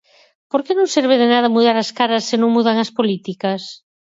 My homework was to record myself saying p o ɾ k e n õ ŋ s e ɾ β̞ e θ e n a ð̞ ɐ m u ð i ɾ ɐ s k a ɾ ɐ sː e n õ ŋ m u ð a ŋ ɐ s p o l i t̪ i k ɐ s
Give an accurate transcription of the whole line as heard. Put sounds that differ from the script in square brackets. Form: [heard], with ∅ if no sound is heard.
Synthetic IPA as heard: p o ɾ k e n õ ŋ s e ɾ β̞ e [ð] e n a ð̞ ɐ m u ð [a] ɾ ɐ s k a ɾ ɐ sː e n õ ŋ m u ð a ŋ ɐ s p o l i t̪ i k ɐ s